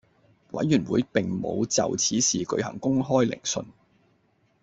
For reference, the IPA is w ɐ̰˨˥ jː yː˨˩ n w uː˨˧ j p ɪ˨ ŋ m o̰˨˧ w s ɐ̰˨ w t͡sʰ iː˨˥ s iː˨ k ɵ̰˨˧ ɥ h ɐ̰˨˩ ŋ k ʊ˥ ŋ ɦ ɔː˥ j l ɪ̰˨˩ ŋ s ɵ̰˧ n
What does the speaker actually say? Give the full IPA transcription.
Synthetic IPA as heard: w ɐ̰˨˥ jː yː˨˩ n w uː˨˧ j p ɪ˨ ŋ m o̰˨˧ w t͡s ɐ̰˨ w t͡sʰ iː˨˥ s iː˨ k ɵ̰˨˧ ɥ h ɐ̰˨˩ ŋ k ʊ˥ ŋ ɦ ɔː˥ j l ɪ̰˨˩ ŋ s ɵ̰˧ n